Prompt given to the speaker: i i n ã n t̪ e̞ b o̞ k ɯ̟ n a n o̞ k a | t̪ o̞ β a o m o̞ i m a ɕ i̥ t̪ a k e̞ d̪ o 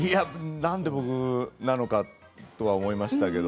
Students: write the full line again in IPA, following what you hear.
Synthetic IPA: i a n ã n d̪ e̞ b o̞ k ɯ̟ n a n o̞ k a | t̪ o̞ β a o m o̞ i m a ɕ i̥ t̪ a k e̞ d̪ o